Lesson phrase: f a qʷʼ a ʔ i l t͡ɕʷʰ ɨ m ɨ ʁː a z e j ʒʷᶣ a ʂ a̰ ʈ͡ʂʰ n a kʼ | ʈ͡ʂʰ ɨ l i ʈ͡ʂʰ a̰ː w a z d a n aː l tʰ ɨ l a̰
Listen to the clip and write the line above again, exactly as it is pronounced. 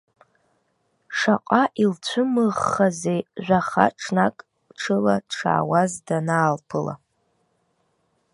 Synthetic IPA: ʂ a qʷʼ a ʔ i l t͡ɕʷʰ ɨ m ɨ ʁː a z e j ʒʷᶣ a χ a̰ ʈ͡ʂʰ n a kʼ | ʈ͡ʂʰ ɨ l a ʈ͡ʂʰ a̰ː w a z d a n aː l pʰ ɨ l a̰